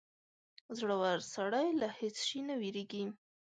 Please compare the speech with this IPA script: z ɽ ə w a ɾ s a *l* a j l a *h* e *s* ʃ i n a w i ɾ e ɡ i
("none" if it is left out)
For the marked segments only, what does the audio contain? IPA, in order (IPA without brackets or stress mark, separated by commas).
ɽ, h, t͡s